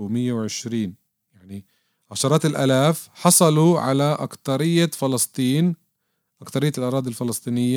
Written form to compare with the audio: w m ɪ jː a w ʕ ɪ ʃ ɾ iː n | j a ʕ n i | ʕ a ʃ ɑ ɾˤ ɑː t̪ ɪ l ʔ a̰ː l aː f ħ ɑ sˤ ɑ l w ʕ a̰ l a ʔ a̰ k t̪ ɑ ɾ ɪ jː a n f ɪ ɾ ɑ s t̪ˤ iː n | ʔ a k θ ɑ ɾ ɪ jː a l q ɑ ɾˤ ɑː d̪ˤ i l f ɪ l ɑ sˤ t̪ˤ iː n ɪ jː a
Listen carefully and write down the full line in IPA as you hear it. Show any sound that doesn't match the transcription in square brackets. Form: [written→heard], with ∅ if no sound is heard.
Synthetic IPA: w m ɪ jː a w ʕ ɪ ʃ ɾ iː n | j a ʕ n i | ʕ a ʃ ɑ ɾˤ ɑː t̪ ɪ l ʔ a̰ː l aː f ħ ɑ sˤ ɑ l [w→u] ʕ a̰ l a ʔ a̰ k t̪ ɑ ɾ ɪ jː a [n→∅] f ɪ [ɾ→l] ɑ s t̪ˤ iː n | ʔ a k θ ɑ ɾ ɪ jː a l [q→ʔ] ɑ ɾˤ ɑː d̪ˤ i l f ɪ l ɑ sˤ t̪ˤ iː n ɪ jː a